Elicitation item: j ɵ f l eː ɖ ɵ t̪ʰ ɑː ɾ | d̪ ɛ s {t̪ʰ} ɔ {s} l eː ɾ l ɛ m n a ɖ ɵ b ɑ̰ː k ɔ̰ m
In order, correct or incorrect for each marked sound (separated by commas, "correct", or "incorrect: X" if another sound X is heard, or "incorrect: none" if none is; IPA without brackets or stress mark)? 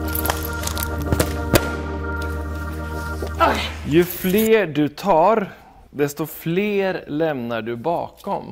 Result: incorrect: t̪, incorrect: f